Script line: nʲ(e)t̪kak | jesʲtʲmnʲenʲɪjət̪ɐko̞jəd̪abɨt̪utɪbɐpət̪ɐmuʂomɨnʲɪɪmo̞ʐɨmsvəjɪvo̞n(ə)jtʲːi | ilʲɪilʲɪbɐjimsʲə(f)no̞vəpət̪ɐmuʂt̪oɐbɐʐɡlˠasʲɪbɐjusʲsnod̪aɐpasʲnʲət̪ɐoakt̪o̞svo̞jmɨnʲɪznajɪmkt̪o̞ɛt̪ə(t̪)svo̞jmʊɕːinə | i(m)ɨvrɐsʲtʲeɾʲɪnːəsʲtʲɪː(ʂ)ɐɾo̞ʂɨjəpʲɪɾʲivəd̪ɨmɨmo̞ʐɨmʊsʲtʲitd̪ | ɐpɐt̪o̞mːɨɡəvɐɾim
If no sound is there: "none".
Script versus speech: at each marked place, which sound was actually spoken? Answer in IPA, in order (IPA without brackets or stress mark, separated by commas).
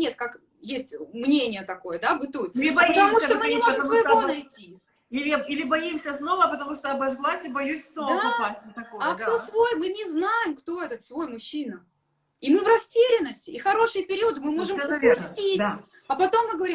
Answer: e, ɐ, s, t̪, m, x